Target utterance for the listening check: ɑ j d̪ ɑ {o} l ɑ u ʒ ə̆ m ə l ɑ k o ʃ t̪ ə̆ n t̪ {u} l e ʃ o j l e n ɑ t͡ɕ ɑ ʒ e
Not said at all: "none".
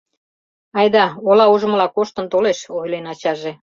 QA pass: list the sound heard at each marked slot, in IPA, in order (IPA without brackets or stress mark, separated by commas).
o, o